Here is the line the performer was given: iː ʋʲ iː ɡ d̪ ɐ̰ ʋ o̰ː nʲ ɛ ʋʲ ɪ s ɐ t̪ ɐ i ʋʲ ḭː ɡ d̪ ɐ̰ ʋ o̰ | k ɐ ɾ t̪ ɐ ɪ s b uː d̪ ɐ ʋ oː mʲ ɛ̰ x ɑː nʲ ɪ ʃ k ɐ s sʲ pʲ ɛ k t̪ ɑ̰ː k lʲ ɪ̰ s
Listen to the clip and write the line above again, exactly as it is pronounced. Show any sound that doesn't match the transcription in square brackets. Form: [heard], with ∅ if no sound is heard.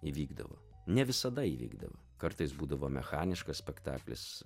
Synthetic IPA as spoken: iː ʋʲ iː ɡ d̪ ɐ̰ ʋ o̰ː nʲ ɛ ʋʲ ɪ s ɐ [d̪] ɐ i ʋʲ ḭː ɡ d̪ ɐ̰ ʋ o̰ | k ɐ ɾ t̪ ɐ ɪ s b uː d̪ ɐ ʋ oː mʲ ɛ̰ x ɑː nʲ ɪ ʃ k ɐ s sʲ pʲ ɛ k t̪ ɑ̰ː k lʲ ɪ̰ s